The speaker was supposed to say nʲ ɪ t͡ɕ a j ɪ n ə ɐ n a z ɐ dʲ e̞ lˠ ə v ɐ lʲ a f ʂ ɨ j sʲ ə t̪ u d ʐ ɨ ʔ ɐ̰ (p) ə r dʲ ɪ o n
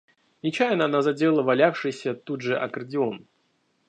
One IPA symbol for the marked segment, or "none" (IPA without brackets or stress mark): k